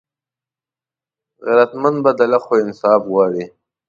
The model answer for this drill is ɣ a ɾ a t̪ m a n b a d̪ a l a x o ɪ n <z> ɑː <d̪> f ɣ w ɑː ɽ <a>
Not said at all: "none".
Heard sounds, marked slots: s, none, i

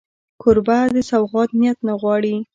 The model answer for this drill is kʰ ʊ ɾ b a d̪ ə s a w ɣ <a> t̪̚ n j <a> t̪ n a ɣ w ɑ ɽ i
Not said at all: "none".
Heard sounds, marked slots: ɑ, a

